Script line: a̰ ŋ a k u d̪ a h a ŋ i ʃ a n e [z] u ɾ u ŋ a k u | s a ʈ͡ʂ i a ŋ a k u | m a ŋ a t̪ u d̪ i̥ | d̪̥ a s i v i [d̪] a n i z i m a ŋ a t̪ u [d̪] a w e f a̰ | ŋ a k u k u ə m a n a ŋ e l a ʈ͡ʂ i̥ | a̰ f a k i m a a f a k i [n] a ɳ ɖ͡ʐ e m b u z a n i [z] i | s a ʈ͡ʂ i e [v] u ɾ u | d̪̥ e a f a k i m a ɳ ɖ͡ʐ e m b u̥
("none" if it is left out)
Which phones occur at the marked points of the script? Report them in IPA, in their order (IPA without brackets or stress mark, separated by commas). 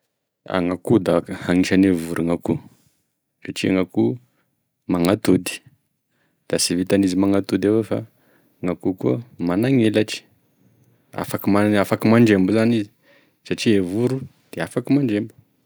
v, t̪, d̪, m, z, v